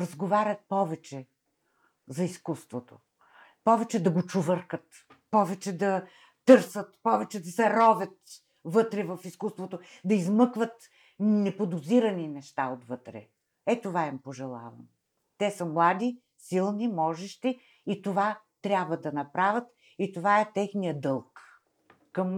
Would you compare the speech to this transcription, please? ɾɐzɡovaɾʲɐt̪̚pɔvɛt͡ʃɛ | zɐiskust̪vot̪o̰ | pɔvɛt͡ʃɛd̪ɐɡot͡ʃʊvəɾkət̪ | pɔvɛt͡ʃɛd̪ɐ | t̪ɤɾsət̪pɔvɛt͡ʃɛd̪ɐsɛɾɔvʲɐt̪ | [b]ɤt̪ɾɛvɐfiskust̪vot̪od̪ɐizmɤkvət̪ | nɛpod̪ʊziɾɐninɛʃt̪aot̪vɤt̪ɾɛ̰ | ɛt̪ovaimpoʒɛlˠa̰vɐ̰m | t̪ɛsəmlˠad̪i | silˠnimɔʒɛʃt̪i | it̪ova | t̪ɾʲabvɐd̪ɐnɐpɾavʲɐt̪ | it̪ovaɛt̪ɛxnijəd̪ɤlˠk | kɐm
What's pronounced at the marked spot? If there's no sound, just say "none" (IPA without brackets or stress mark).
v